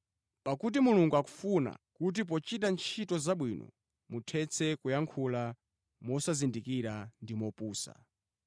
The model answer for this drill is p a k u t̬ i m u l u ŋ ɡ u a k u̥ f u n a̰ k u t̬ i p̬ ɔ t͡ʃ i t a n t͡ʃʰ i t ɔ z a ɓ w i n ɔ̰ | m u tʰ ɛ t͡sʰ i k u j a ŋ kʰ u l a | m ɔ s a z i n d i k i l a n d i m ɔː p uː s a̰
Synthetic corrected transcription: p a k u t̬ i m u l u ŋ ɡ u a k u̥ f u n a̰ k u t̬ i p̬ ɔ t͡ʃ i t a n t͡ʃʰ i t ɔ z a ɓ w i n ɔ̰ | m u tʰ ɛ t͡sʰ ɛ k u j a ŋ kʰ u l a | m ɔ s a z i n d i k i ɾ a n d i m ɔ p uː s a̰